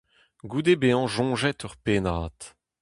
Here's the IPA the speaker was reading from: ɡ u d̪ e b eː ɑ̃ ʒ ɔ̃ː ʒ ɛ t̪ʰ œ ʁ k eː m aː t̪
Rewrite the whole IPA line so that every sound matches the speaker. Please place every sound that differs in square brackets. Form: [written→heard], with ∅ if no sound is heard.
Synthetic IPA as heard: ɡ u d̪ e b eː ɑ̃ ʒ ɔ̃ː ʒ ɛ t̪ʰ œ ʁ [k→p] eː [m→n] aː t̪

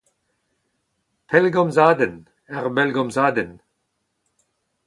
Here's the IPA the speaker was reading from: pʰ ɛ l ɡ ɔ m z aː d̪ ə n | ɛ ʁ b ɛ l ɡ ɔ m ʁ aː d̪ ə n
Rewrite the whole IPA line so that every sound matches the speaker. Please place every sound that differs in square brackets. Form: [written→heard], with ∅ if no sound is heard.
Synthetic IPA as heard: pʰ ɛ l ɡ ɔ m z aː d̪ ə n | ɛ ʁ b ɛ l ɡ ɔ m [ʁ→z] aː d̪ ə n

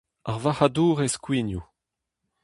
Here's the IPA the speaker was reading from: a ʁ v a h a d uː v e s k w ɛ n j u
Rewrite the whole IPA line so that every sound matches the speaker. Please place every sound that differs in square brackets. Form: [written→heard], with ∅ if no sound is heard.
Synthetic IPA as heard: a ʁ v a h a d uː [v→ʁ] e s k w [ɛ→i] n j u

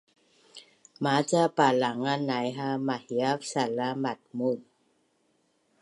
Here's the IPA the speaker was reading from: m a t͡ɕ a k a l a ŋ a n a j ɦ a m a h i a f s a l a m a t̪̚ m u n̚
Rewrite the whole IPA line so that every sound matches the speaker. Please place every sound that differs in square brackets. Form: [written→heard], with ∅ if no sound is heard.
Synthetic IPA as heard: m a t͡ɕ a [k→p] a l a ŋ a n a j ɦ a m a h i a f s a l a m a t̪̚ m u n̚

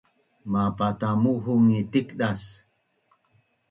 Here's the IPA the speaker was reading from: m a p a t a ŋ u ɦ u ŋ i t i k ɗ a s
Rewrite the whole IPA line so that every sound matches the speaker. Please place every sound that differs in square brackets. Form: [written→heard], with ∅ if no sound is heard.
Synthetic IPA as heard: m a p a t a [ŋ→m] u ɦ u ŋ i t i k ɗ a s

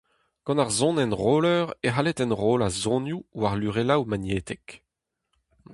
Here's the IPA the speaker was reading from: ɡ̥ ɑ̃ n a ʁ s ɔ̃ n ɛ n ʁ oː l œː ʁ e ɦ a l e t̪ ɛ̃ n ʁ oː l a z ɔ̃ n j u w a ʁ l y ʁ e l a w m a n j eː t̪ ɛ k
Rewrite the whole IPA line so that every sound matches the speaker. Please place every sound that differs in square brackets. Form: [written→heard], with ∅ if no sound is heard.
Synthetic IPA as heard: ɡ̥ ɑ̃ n a ʁ [s→z] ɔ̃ n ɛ n ʁ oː l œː ʁ e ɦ a l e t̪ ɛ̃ n ʁ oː l a z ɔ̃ n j u w a ʁ l y ʁ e l a w m a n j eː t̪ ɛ k

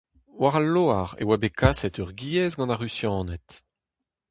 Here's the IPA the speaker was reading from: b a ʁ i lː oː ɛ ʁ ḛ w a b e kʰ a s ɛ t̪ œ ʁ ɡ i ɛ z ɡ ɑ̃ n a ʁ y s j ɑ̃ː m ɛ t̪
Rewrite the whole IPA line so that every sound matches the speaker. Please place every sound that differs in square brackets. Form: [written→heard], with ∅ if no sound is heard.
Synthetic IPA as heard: [b→w] a ʁ [i→a] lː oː [ɛ→a] ʁ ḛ w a b e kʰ a s ɛ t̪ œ ʁ ɡ i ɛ z ɡ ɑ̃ n a ʁ y s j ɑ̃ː [m→n] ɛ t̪

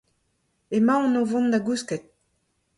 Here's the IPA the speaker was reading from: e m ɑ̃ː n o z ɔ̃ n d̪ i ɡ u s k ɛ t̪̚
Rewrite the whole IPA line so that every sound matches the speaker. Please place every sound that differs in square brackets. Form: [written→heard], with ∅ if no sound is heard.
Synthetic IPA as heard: e m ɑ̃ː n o [z→v] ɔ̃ n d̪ [i→a] ɡ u s k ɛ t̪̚

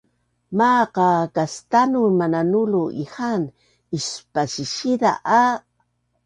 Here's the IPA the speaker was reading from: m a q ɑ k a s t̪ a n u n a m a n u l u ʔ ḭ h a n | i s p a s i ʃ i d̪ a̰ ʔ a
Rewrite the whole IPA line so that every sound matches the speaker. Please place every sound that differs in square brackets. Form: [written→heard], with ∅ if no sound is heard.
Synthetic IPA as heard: m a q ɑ k a s t̪ a n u [n→m] a [m→n] a n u l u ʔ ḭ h a n | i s p a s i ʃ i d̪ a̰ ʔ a

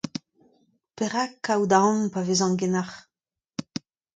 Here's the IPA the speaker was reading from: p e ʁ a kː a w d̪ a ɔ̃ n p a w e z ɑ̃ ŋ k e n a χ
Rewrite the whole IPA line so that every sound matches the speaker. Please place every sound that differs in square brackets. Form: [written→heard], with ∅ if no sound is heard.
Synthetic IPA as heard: p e ʁ a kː a w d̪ a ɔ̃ n p a [w→v] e z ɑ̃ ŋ [k→ɡ] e n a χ

